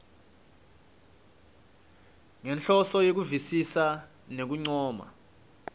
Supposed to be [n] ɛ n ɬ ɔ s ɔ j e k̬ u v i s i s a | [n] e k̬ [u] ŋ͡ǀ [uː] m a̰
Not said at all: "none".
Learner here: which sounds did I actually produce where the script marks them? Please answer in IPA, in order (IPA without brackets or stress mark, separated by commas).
ŋ, n, u, ɔː